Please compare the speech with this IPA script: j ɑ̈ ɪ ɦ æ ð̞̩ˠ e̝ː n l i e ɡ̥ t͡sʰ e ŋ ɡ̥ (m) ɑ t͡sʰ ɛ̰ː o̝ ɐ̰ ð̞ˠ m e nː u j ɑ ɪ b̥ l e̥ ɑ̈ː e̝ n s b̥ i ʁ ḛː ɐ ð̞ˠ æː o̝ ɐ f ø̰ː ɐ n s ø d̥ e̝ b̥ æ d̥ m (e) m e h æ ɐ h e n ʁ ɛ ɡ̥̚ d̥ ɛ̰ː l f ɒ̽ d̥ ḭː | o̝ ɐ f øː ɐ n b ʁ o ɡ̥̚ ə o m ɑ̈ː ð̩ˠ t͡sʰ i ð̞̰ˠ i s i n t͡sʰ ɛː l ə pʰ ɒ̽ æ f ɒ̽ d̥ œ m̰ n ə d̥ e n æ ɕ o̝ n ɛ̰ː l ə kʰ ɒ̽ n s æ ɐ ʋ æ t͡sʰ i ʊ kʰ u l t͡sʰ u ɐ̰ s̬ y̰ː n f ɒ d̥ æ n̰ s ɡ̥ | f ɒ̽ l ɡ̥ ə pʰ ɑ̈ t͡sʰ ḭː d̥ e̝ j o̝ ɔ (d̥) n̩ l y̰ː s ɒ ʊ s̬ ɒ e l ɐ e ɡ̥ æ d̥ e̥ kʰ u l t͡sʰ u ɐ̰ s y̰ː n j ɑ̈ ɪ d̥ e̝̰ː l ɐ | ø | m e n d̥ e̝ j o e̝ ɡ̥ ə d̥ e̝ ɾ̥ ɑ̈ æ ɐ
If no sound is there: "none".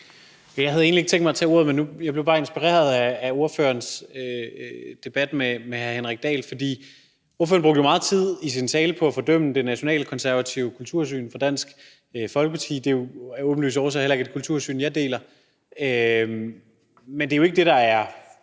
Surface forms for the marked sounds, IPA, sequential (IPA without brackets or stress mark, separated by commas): m, e, b̥